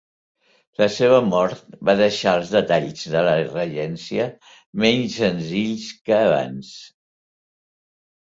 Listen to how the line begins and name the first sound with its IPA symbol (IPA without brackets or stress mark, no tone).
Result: l